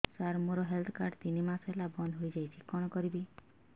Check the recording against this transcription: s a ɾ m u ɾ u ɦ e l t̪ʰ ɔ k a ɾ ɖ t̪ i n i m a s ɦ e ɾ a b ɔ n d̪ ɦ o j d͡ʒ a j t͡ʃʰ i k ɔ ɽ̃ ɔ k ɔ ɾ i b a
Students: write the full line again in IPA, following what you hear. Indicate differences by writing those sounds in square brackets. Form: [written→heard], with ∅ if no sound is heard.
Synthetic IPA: s a ɾ m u ɾ [u→ɔ] ɦ e l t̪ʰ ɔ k a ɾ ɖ t̪ i n i m a s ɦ e [ɾ→l] a b ɔ n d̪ ɦ o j d͡ʒ a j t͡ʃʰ i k ɔ ɽ̃ ɔ k ɔ ɾ i b [a→i]